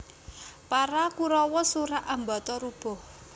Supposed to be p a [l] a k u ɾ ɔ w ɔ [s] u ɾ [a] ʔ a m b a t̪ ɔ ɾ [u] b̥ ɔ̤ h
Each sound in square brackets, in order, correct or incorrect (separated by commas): incorrect, correct, correct, correct